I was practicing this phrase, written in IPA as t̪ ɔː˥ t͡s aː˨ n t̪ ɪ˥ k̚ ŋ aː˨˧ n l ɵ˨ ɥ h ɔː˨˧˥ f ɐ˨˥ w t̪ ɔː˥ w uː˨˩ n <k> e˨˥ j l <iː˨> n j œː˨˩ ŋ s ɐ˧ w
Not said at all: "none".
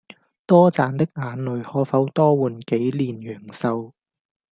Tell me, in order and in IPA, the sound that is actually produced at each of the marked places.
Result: k, iː˨

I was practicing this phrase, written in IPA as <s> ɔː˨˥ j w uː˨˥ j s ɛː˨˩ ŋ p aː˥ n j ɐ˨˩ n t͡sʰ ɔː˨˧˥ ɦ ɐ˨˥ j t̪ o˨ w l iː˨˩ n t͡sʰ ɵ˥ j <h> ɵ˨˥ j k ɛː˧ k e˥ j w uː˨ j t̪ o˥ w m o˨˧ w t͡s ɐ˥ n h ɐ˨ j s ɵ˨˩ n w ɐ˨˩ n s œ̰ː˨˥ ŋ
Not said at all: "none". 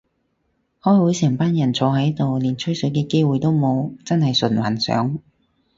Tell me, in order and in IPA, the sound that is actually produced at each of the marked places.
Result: h, s

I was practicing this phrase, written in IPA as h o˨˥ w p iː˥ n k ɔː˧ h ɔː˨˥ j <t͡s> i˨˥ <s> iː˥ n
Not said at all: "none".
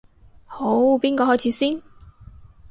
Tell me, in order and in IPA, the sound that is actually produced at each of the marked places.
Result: t͡sʰ, s

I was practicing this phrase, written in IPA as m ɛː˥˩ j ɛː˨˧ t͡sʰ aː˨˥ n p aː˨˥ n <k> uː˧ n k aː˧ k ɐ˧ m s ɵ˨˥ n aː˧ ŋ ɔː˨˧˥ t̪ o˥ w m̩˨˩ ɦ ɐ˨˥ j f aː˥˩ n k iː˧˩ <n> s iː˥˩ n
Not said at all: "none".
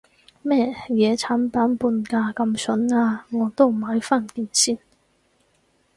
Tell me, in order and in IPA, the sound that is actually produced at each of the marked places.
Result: p, n

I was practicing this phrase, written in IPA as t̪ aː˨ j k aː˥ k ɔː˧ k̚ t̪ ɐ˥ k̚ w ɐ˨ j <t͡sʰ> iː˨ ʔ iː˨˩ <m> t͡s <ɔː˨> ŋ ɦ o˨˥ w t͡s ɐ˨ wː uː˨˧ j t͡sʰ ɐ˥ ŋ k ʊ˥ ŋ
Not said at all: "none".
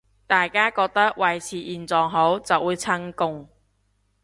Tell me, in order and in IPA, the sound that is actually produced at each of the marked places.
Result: t͡sʰ, n, ɔː˨

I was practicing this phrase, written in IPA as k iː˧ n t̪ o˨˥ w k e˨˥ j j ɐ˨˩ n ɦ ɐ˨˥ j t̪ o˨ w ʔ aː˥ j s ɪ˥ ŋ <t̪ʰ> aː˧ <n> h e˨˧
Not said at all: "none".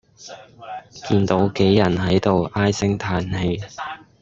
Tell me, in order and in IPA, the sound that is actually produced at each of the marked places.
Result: t̪ʰ, n

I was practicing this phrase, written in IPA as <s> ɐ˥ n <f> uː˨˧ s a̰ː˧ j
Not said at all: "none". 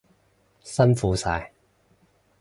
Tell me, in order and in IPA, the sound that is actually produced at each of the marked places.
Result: s, f

